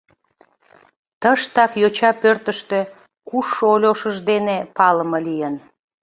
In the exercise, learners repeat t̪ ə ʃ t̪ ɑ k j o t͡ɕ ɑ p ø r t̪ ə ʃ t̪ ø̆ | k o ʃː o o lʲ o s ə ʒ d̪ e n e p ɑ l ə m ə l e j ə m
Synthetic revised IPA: t̪ ə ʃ t̪ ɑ k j o t͡ɕ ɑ p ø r t̪ ə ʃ t̪ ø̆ | k u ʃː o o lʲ o ʃ ə ʒ d̪ e n e p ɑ l ə m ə l i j ə n